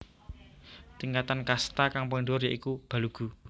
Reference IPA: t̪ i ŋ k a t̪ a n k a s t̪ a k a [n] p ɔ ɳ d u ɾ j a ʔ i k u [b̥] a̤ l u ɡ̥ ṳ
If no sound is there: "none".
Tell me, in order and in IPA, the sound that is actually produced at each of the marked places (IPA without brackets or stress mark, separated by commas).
ŋ, b̥